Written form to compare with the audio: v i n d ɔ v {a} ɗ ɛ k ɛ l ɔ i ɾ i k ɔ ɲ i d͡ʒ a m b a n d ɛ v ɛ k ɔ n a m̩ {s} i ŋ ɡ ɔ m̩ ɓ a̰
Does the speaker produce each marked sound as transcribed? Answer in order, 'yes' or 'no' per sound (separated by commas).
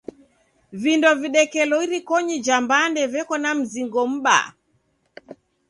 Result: no, no